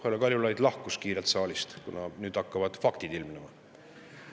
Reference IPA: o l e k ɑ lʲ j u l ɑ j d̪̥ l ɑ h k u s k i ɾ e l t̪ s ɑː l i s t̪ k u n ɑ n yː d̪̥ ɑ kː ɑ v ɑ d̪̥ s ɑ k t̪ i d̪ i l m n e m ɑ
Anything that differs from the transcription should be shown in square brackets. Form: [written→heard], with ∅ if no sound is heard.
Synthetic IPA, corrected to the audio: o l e k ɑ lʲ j u l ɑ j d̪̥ l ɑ h k u s k [i→iː] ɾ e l t̪ s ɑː l i s t̪ k u n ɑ n yː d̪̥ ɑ kː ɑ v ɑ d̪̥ [s→f] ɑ k t̪ i d̪ i l m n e m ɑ